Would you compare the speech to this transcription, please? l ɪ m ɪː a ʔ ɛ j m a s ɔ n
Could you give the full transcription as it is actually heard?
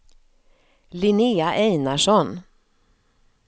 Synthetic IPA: l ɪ n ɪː a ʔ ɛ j n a ʂ ɔ n